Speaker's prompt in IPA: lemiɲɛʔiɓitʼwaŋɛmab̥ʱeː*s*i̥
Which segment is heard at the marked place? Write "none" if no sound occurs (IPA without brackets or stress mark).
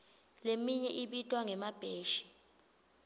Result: ʃ